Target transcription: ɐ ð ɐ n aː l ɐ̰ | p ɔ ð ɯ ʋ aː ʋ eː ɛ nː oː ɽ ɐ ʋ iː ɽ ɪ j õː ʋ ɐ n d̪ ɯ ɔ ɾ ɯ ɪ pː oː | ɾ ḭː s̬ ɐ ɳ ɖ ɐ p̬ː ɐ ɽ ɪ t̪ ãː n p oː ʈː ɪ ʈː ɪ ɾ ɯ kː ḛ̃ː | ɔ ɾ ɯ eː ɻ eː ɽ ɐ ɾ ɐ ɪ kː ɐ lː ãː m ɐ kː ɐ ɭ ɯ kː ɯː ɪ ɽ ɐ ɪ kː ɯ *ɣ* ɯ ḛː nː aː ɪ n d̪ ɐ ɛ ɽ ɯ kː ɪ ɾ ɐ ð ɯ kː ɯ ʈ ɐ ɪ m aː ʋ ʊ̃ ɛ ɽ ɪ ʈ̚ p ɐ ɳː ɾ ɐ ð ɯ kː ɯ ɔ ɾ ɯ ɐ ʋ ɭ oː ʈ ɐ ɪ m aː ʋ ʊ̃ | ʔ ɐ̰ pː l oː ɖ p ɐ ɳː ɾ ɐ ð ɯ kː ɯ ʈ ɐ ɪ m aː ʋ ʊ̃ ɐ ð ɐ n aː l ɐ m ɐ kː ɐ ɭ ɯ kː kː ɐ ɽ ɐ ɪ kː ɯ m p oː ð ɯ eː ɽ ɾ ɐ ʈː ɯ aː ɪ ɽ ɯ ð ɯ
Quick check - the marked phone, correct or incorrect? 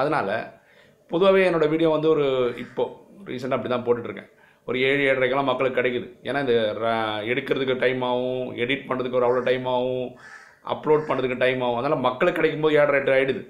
incorrect